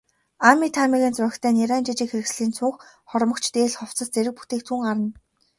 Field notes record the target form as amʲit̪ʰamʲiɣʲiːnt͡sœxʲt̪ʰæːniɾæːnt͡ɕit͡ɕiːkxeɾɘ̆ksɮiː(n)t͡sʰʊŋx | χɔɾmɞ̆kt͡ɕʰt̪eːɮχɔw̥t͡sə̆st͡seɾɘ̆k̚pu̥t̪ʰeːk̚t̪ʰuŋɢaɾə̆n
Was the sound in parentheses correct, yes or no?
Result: yes